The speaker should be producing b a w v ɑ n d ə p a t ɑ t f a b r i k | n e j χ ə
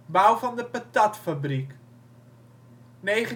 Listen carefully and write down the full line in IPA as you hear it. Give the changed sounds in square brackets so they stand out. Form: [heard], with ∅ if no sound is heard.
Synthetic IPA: b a w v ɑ n d ə p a t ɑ t f a b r i k | n e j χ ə